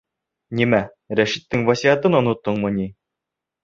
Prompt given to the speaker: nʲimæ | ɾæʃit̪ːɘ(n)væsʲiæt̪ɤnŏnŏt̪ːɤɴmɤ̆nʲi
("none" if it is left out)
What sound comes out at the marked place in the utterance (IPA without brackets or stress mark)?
ŋ